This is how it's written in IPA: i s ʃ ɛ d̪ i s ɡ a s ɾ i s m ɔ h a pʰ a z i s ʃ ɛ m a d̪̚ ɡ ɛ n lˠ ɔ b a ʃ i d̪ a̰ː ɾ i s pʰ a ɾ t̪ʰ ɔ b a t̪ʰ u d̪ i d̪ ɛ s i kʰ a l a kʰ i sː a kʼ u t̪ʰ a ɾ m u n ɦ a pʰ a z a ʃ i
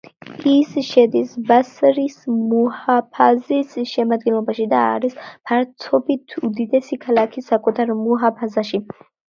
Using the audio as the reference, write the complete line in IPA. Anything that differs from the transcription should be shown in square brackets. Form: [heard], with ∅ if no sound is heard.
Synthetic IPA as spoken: i s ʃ ɛ d̪ i s [b] a s ɾ i s m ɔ h a pʰ a z i s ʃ ɛ m a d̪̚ ɡ ɛ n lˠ ɔ b a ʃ i d̪ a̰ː ɾ i s pʰ a ɾ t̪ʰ ɔ b [i] t̪ʰ u d̪ i d̪ ɛ s i kʰ a l a kʰ i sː a kʼ u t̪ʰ a ɾ m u [∅] ɦ a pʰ a z a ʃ i